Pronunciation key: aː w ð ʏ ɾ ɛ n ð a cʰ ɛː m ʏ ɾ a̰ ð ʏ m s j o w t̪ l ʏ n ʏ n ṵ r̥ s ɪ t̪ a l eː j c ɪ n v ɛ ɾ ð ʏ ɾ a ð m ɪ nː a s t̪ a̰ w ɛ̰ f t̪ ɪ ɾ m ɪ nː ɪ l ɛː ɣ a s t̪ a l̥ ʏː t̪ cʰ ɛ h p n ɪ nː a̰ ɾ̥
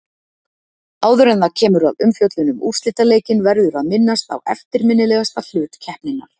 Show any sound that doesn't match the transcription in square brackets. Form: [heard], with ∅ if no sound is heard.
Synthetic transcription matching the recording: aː w ð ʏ ɾ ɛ n ð a cʰ ɛː m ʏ ɾ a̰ ð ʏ m [f] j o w t̪ l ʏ n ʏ [m] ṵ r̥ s ɪ t̪ a l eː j c ɪ n v ɛ ɾ ð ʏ ɾ a ð m ɪ nː a s t̪ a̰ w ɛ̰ f t̪ ɪ ɾ m ɪ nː ɪ l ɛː ɣ a s t̪ a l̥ ʏː t̪ cʰ ɛ h p n ɪ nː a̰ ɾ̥